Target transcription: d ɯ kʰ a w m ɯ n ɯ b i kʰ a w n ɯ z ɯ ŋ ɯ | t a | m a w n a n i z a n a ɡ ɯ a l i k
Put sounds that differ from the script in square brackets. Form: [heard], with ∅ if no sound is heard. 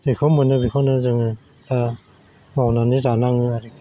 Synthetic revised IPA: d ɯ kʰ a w m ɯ n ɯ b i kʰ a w n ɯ z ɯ ŋ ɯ | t a | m a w n a n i z a n a [ŋ] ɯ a [ɾ] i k